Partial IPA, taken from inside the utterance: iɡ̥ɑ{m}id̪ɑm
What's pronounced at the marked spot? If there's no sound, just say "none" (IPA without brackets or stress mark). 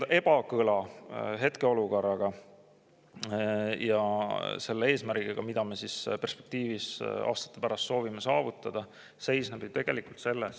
m